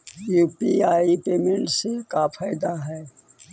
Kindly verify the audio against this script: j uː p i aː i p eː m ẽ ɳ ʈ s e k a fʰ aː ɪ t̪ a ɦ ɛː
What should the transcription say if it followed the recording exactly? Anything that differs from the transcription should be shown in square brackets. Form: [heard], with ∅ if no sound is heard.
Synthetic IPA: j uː p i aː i p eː m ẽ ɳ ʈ s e k a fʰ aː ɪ [d̪] a ɦ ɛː